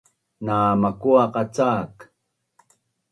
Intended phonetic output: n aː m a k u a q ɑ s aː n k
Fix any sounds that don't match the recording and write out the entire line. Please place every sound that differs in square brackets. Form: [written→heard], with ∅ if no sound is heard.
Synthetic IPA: n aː m a k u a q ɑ [s→t͡s] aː [n→∅] k